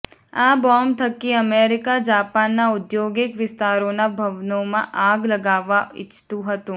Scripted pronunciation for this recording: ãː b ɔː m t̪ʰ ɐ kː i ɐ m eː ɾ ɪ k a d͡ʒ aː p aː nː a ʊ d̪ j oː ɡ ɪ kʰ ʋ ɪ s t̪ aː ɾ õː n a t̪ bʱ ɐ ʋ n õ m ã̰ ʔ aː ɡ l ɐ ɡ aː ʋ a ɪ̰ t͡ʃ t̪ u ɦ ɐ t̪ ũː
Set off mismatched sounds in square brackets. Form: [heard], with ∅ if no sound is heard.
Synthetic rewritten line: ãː b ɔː m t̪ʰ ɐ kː i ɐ m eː ɾ ɪ k a d͡ʒ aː p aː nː a ʊ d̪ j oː ɡ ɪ [k] ʋ ɪ s t̪ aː ɾ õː n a [∅] bʱ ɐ ʋ n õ m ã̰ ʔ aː ɡ l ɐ ɡ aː ʋ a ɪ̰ t͡ʃ t̪ u ɦ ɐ t̪ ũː